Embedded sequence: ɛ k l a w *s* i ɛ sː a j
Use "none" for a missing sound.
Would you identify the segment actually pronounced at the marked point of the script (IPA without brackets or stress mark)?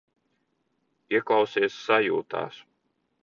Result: s